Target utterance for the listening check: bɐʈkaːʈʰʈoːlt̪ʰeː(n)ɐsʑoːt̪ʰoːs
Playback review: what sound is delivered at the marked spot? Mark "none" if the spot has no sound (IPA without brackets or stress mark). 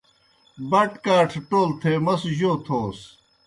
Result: m